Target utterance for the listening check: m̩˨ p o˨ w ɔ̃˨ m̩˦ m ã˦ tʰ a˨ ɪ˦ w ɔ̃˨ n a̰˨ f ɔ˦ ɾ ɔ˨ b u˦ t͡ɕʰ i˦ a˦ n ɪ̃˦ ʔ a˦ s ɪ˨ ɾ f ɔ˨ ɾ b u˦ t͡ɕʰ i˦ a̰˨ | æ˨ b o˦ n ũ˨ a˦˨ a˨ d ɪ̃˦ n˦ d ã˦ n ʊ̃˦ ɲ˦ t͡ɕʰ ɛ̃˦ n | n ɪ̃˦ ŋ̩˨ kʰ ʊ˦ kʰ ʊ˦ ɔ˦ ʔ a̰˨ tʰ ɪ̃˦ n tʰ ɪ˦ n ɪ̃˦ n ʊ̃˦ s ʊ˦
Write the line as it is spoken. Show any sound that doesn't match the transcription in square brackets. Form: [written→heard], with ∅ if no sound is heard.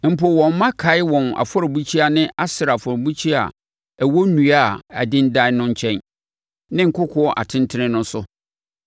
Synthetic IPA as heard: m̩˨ p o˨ w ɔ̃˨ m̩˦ m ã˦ [tʰ→kʰ] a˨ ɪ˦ w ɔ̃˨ n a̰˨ f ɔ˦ ɾ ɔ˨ b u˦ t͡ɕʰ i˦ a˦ n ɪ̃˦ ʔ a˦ s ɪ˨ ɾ f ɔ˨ ɾ b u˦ t͡ɕʰ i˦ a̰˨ | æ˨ [b→w] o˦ n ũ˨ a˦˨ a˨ d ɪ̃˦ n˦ d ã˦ n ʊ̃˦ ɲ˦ t͡ɕʰ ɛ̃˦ n | n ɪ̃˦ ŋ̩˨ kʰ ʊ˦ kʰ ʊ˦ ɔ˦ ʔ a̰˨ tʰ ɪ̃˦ n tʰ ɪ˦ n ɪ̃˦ n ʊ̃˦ s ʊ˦